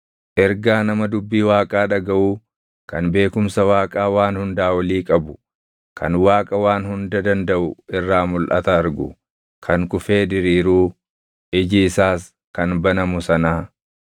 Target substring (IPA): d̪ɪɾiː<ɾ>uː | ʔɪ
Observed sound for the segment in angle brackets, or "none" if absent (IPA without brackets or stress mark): ɾ